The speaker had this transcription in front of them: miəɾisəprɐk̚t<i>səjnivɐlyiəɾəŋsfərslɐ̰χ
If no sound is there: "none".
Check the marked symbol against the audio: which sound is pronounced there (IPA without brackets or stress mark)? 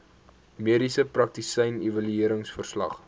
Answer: i